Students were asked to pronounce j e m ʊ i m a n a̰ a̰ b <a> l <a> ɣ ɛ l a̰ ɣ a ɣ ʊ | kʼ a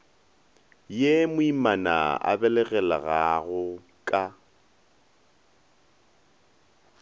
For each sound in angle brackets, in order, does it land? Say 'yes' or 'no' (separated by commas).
no, no